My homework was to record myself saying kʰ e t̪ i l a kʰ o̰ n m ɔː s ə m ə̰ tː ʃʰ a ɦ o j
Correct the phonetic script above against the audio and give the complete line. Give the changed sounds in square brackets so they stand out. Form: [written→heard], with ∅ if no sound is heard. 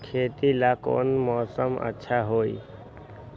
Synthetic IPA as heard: kʰ e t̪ i l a [kʰ→k] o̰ n m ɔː s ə m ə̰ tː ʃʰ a ɦ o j